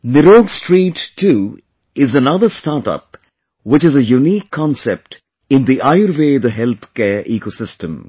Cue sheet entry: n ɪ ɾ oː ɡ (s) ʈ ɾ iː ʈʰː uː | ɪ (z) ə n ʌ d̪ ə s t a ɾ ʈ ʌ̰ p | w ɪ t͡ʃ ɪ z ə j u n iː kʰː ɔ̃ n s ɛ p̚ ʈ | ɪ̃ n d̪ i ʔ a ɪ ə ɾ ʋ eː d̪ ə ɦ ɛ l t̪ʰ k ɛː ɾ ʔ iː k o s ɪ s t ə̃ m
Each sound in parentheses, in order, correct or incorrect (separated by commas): correct, correct